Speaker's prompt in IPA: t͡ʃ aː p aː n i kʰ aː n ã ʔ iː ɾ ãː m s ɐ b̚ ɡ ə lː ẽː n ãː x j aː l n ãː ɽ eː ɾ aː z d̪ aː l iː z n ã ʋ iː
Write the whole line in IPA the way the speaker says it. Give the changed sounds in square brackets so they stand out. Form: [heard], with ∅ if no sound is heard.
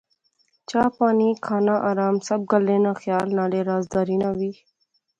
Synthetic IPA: t͡ʃ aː p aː n i kʰ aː n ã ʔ [aː] ɾ [aː] m s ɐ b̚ ɡ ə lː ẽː n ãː x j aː l n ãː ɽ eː ɾ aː z d̪ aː [ɾ] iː [∅] n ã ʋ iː

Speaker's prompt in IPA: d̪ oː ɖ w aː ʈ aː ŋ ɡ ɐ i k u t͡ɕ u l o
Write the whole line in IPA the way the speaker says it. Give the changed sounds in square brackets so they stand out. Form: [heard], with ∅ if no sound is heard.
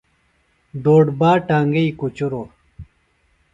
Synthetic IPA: d̪ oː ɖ [b] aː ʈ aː ŋ ɡ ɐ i k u t͡ɕ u [ɾ] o

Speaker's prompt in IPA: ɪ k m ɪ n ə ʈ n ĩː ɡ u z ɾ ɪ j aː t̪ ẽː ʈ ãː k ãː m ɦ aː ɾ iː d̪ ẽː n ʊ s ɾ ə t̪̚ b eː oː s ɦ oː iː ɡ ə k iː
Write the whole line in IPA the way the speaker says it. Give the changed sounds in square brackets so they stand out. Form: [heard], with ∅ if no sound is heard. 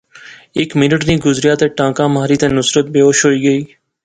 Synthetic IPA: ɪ k m ɪ n ə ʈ n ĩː ɡ [ʊ] z ɾ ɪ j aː t̪ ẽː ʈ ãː k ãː m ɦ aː ɾ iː [t̪] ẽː n ʊ s ɾ ə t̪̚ b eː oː [ʃ] ɦ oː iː ɡ ə [∅] iː

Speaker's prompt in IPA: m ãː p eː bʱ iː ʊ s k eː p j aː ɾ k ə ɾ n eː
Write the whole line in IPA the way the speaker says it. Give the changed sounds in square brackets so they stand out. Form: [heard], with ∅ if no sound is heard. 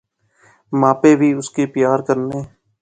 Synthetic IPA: m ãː p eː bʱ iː ʊ s k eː p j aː ɾ k ə ɾ n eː

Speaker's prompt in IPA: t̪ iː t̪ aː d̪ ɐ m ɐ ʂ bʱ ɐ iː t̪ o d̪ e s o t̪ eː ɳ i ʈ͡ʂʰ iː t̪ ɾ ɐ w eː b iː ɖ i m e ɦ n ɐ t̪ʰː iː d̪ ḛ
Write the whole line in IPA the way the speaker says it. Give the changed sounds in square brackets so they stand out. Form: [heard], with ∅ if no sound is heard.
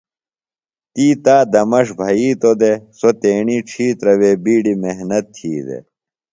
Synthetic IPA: t̪ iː t̪ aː d̪ ɐ m ɐ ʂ bʱ ɐ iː t̪ o d̪ e s o t̪ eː ɳ i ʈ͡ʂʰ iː t̪ ɾ ɐ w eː b iː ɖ i m e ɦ n ɐ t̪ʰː iː d̪ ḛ

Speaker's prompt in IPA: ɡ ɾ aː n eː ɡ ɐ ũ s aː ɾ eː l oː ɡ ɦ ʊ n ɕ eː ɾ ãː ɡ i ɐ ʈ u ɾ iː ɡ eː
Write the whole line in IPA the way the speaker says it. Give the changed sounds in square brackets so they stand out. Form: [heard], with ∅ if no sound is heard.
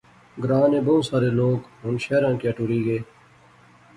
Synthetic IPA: ɡ ɾ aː n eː [b] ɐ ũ s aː ɾ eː l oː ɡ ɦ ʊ n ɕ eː ɾ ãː [k] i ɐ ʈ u ɾ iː ɡ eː

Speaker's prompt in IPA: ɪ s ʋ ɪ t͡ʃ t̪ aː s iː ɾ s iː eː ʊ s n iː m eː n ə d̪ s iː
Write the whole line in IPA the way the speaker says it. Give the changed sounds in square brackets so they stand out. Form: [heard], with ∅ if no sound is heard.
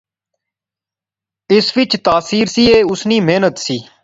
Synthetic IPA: ɪ s ʋ ɪ t͡ʃ t̪ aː s iː ɾ s iː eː ʊ s n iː m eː n ə [t̪] s iː

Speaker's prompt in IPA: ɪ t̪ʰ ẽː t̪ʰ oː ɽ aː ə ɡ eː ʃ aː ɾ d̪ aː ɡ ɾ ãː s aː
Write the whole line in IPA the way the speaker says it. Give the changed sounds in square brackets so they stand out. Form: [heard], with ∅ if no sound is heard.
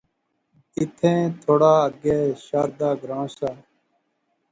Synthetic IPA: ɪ t̪ʰ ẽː t̪ʰ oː ɽ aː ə ɡ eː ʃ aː ɾ d̪ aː ɡ ɾ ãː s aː

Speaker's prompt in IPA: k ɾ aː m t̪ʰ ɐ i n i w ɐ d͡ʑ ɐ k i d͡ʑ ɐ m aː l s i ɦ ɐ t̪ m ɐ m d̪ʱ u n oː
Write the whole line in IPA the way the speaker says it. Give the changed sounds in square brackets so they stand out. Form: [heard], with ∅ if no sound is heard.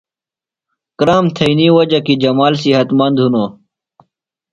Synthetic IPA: k ɾ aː m t̪ʰ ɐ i n i w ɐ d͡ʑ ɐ k i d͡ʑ ɐ m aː l s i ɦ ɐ t̪ m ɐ [n] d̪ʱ u n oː

